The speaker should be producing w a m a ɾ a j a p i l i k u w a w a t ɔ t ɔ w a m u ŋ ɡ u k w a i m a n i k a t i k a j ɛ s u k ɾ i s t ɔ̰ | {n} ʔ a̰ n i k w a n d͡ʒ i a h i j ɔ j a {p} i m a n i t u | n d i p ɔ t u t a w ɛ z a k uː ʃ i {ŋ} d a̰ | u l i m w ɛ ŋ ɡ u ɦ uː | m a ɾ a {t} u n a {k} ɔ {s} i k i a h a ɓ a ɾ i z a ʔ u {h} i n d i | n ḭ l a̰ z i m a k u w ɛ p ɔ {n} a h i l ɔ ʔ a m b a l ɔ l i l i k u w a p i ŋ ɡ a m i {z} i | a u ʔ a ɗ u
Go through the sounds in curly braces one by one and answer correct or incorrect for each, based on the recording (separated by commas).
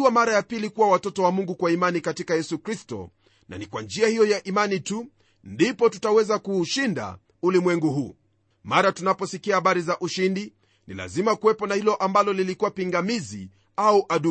correct, incorrect, incorrect, correct, incorrect, correct, incorrect, correct, correct